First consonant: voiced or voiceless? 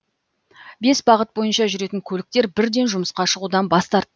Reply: voiced